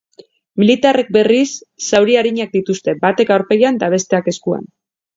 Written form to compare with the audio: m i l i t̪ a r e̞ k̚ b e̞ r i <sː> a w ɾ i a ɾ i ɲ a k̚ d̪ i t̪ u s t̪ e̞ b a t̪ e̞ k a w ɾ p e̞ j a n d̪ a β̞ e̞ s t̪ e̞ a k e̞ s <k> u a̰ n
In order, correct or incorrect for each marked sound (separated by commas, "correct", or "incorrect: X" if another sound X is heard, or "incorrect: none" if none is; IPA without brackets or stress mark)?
correct, correct